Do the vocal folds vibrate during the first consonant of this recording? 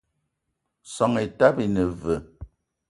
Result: no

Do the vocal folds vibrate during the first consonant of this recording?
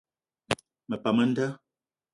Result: yes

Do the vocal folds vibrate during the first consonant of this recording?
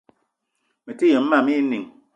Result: yes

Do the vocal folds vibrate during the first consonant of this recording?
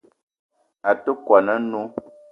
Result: no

